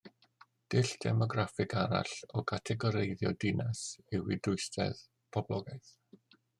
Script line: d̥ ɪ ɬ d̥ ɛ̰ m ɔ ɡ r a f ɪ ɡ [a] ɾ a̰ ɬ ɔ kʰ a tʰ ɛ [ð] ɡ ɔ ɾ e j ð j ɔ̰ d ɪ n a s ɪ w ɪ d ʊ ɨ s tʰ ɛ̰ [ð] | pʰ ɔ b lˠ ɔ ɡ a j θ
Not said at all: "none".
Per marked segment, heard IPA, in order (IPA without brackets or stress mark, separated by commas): a, none, ð